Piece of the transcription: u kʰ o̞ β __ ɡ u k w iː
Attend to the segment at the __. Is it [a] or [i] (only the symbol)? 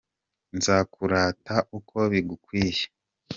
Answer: i